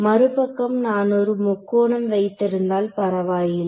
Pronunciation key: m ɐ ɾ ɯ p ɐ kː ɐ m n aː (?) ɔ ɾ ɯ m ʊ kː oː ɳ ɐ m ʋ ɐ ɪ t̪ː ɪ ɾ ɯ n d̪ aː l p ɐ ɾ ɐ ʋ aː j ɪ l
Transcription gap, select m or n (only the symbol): n